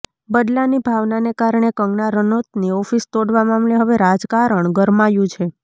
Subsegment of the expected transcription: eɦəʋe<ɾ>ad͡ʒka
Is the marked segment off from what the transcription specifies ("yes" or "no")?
no